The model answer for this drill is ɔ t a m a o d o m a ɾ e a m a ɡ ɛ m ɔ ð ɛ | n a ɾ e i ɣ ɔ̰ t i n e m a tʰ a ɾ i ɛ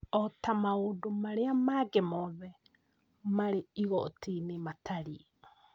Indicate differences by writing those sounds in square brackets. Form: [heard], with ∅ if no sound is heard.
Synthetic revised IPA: ɔ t a m a o d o m a ɾ e a m a ɡ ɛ m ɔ ð ɛ | [m] a ɾ e i ɣ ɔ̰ t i n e m a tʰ a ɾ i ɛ